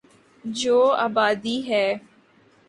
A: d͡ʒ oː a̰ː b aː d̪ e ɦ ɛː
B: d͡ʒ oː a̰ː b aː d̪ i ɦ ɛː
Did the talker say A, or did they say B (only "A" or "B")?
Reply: B